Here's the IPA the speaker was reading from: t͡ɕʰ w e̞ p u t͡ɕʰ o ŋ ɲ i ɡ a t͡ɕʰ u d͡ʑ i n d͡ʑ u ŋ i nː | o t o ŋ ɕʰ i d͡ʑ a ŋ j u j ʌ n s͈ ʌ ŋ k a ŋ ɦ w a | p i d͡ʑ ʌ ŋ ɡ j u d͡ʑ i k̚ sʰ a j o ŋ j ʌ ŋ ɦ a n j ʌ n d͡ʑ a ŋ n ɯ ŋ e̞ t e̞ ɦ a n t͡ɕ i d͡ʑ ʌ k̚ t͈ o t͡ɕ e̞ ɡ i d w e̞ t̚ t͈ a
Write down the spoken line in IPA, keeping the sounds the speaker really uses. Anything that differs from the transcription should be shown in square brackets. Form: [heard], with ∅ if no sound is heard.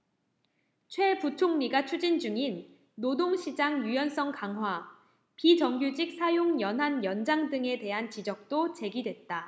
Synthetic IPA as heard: t͡ɕʰ w e̞ p u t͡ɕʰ o ŋ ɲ i ɡ a t͡ɕʰ u d͡ʑ i n d͡ʑ u ŋ i nː | o [d] o ŋ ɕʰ i d͡ʑ a ŋ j u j ʌ n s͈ ʌ ŋ k a ŋ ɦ w a | p i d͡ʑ ʌ ŋ ɡ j u d͡ʑ i k̚ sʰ a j o ŋ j ʌ [n] ɦ a n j ʌ n d͡ʑ a ŋ [d] ɯ ŋ e̞ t e̞ ɦ a n t͡ɕ i d͡ʑ ʌ k̚ t͈ o t͡ɕ e̞ ɡ i d w e̞ t̚ t͈ a